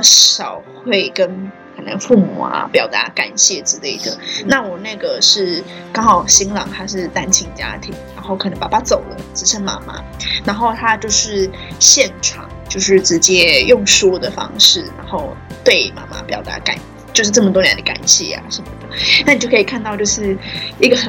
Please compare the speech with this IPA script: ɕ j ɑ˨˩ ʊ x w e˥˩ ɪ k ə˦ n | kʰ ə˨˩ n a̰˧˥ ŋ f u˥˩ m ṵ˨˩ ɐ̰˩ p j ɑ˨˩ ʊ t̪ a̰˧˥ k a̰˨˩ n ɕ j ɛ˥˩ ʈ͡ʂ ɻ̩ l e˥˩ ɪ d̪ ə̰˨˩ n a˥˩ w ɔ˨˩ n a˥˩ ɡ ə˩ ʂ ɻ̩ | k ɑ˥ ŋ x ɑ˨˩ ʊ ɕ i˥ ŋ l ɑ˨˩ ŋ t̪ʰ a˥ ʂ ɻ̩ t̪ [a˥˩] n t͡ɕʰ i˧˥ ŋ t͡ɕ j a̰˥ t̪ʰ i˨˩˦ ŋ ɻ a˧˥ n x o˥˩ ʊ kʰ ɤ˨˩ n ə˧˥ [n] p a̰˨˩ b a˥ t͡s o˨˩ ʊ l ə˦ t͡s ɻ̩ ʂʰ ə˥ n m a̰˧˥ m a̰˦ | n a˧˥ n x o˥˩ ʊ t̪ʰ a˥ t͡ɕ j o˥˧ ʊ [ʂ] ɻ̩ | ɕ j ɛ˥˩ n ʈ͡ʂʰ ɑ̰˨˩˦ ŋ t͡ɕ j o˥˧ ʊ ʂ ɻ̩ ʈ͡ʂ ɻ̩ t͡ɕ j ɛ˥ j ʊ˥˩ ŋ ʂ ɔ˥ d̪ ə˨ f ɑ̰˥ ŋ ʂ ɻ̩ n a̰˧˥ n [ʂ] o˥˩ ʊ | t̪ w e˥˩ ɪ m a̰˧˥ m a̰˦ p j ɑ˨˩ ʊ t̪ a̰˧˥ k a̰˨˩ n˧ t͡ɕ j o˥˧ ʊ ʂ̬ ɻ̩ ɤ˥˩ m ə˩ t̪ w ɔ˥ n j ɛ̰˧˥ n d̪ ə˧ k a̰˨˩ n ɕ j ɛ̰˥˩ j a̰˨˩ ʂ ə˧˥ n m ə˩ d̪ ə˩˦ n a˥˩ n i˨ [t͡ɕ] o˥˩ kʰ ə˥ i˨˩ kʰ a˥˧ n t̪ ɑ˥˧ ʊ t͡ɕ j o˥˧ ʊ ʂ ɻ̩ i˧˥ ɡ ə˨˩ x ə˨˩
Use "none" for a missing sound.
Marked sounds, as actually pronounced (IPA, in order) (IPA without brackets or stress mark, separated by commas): a˥, ŋ, ʂ, x, t͡ɕ